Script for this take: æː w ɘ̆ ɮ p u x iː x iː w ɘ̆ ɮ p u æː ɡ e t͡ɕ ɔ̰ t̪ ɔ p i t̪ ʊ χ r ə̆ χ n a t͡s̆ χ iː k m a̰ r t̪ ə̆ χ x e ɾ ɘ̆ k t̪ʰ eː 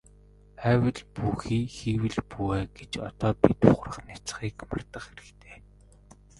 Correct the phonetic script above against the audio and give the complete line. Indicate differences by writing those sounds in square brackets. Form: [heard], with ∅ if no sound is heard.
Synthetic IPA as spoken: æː w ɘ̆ ɮ p u x iː x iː w ɘ̆ ɮ p u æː ɡ e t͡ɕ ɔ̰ t̪ [ɔː] p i t̪ ʊ χ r ə̆ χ n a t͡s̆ χ iː k m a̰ r t̪ ə̆ χ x e ɾ ɘ̆ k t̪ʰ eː